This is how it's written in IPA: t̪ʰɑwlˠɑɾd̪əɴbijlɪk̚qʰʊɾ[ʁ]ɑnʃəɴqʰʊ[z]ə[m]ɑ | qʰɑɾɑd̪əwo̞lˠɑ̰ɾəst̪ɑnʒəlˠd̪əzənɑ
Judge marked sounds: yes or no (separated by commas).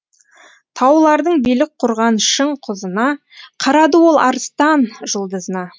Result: yes, yes, no